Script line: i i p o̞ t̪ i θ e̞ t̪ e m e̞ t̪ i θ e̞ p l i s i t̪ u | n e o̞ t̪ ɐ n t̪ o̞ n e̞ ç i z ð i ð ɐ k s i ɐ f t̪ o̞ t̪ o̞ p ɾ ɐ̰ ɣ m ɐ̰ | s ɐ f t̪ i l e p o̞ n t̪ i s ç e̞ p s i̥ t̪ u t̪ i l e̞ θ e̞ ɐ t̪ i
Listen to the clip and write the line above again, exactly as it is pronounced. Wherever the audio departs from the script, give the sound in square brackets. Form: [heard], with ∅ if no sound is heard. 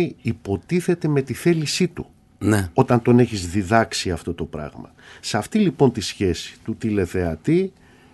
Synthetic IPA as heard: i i p o̞ t̪ i θ e̞ t̪ e m e̞ t̪ i θ e̞ [∅] l i s i t̪ u | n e o̞ t̪ ɐ n t̪ o̞ n e̞ ç i z ð i ð ɐ k s i ɐ f t̪ o̞ t̪ o̞ p ɾ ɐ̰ ɣ m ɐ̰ | s ɐ f t̪ i l [i] p o̞ n t̪ i s ç e̞ [∅] s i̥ t̪ u t̪ i l e̞ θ e̞ ɐ t̪ i